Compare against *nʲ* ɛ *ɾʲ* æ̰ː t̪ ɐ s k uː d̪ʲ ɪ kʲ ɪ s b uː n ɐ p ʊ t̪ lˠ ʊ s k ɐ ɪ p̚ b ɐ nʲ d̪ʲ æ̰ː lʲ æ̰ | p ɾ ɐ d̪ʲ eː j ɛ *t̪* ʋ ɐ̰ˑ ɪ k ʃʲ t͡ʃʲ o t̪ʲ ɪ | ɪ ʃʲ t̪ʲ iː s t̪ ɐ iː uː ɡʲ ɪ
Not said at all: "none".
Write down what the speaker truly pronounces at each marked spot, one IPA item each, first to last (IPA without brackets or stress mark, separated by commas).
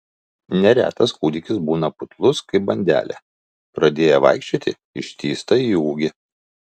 nʲ, ɾʲ, none